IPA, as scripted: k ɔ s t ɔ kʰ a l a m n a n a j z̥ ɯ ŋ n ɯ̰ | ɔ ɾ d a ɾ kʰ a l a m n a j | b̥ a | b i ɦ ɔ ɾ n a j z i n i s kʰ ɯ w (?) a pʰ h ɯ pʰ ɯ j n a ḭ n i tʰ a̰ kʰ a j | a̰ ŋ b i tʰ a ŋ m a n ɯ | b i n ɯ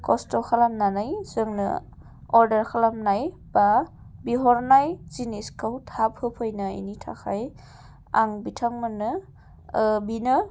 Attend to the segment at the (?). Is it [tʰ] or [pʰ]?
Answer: tʰ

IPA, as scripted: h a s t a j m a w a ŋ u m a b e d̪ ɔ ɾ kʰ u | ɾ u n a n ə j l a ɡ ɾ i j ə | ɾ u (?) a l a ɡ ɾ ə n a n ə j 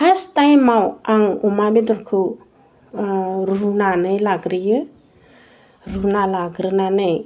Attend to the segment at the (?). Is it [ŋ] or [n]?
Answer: n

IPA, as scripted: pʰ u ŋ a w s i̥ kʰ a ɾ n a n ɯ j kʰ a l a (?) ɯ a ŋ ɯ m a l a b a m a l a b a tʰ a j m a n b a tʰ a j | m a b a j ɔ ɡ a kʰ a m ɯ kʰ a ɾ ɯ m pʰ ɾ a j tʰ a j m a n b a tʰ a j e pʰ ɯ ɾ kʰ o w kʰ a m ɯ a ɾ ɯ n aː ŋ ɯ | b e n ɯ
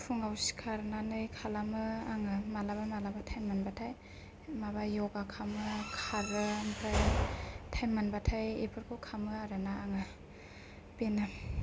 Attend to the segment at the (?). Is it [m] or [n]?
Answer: m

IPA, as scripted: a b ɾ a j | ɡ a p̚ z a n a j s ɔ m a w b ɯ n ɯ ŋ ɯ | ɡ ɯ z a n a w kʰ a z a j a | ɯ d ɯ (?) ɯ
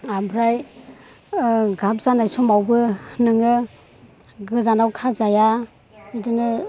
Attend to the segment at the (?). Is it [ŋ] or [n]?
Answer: n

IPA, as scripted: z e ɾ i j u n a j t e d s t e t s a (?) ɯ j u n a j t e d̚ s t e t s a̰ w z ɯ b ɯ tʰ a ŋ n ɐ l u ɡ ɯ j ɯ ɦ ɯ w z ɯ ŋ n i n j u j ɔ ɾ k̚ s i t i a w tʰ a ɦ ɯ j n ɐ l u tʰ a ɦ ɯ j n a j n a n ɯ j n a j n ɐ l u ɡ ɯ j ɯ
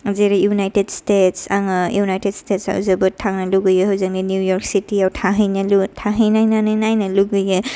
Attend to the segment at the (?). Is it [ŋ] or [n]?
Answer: ŋ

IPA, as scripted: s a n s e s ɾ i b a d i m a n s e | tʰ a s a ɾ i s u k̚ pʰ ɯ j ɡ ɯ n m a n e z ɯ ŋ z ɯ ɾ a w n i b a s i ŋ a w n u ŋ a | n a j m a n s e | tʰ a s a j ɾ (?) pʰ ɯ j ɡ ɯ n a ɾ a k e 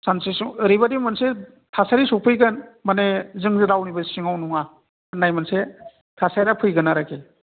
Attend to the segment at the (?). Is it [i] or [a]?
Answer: a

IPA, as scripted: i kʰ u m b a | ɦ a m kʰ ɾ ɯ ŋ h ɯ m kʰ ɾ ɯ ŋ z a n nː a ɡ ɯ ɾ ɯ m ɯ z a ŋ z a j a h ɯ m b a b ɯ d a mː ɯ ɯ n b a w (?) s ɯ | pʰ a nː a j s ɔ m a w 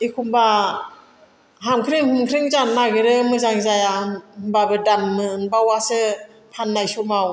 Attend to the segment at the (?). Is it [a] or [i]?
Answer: a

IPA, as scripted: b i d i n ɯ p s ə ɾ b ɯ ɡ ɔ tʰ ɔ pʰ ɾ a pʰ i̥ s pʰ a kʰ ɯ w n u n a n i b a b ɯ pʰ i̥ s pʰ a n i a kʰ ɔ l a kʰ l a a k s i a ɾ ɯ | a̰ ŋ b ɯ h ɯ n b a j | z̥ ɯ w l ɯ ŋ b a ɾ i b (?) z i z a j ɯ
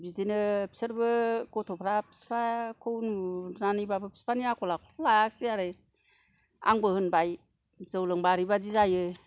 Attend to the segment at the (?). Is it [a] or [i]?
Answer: a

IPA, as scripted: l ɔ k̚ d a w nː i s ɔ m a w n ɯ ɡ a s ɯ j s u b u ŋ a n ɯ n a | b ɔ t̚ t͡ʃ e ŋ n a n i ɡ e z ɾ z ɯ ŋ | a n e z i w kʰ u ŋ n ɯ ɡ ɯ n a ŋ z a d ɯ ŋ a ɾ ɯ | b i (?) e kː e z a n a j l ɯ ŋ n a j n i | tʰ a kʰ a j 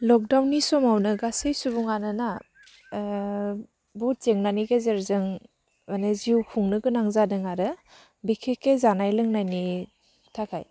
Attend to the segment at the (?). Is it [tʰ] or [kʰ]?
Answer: kʰ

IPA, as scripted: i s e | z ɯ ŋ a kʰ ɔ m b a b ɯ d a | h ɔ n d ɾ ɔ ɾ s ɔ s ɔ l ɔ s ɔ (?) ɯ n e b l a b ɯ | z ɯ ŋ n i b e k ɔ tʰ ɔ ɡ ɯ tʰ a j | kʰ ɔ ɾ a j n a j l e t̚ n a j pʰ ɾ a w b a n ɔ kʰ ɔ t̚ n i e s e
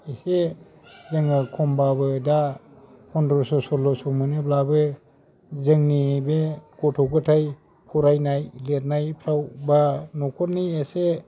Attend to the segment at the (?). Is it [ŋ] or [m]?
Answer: m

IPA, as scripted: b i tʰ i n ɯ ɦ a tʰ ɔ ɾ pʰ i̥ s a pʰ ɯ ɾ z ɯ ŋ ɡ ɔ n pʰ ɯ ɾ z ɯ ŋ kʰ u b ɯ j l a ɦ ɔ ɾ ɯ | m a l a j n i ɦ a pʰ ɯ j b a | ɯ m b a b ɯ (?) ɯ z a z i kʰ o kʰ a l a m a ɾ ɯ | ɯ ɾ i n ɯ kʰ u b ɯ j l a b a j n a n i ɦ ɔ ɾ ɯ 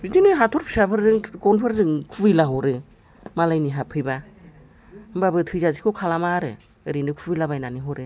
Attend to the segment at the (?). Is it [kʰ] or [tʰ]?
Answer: tʰ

